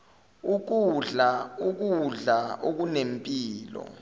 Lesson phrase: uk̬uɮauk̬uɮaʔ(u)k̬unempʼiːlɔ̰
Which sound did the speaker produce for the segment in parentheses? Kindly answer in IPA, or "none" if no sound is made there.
o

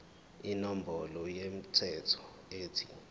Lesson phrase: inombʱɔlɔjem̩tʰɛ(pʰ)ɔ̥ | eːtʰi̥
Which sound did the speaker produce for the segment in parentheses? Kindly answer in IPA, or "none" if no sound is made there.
tʰ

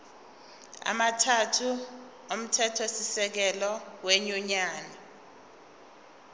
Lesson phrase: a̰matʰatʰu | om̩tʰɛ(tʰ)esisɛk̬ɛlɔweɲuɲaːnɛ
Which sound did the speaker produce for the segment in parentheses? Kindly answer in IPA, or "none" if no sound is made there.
tʰ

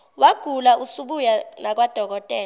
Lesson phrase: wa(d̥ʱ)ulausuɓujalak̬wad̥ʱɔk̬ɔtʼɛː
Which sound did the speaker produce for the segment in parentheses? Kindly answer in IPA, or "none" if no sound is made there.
ɡ̥ʱ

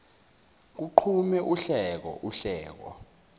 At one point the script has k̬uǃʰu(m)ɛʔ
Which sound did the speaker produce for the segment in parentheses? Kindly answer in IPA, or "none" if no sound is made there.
m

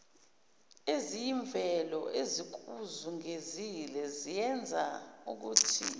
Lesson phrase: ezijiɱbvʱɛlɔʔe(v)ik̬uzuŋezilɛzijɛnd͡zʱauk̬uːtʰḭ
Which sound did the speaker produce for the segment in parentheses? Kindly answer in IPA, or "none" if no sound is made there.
z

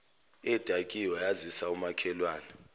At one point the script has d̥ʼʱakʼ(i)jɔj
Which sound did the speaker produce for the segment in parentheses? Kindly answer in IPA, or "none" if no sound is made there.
i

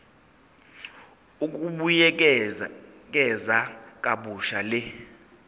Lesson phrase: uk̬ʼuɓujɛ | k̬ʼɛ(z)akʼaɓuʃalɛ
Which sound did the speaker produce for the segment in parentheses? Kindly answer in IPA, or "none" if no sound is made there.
z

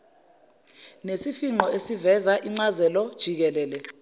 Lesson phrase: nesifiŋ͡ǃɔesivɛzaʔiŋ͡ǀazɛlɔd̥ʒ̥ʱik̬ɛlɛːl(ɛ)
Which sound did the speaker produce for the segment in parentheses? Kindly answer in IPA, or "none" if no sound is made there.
ɛ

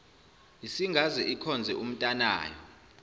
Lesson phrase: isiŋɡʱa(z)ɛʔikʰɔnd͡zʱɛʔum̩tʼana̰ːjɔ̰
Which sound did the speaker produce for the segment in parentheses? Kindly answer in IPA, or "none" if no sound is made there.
z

